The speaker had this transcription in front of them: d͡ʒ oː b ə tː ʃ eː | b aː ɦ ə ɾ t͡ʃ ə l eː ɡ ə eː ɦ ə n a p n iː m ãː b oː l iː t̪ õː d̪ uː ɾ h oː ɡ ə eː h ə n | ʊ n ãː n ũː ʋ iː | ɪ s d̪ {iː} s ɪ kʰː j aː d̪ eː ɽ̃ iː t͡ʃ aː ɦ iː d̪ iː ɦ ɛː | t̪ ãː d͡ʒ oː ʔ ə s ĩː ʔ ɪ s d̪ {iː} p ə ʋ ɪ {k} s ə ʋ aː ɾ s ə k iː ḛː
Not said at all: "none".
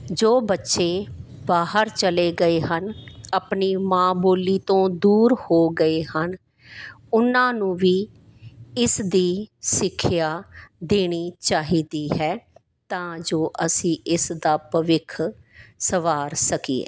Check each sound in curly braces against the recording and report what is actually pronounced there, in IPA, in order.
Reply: iː, aː, kʰ

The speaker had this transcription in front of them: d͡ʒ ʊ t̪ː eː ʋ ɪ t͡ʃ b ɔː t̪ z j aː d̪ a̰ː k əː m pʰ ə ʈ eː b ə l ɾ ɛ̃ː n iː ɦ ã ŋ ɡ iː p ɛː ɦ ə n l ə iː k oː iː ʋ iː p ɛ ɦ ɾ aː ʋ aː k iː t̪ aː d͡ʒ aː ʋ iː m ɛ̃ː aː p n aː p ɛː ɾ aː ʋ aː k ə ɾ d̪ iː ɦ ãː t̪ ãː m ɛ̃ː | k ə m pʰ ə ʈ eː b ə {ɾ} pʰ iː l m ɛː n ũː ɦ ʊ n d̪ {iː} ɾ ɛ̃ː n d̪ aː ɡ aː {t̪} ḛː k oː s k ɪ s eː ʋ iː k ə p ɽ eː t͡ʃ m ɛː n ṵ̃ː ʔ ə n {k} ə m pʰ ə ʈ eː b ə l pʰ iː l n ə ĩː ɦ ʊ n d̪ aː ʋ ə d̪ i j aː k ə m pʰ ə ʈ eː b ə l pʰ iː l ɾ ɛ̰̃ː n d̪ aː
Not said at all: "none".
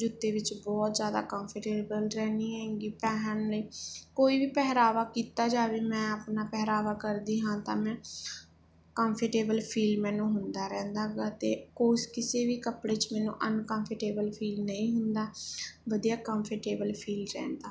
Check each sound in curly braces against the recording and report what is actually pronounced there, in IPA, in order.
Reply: l, aː, t̪, k

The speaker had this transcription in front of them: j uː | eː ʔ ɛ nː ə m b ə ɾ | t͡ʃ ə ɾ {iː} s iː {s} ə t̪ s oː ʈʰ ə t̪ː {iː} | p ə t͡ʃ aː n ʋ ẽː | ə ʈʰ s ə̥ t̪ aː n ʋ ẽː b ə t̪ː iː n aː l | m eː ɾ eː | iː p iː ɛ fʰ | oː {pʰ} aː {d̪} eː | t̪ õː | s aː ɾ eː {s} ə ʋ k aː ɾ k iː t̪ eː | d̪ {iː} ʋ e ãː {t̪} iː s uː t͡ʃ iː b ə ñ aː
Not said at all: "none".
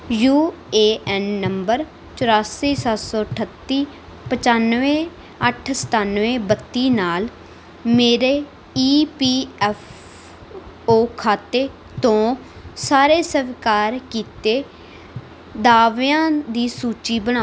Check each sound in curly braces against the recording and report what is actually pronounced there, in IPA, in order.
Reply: aː, s, iː, kʰ, t̪, s, aː, d̪

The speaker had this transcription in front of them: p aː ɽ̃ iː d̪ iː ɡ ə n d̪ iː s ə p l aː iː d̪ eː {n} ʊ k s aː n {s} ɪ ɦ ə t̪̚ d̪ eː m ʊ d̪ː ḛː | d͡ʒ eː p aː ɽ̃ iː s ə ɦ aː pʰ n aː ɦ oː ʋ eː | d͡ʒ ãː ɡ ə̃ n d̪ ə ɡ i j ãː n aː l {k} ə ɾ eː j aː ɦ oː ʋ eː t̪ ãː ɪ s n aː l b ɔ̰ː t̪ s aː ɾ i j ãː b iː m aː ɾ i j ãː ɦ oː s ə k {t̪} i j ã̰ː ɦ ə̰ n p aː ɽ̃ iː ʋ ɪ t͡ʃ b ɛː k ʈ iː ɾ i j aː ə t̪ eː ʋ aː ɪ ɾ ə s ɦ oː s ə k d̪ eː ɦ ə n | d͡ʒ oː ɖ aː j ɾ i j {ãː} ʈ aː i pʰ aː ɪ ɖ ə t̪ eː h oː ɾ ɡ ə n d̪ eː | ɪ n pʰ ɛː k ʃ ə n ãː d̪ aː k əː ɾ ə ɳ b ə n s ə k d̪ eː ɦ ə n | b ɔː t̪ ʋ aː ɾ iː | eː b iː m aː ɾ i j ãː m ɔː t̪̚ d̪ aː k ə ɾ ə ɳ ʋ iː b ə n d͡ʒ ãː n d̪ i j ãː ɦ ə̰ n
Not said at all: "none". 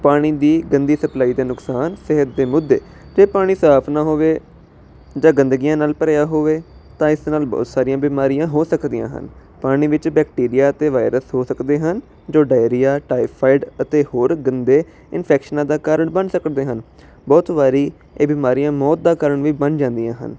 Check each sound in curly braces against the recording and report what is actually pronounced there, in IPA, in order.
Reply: n, s, p, d̪, aː

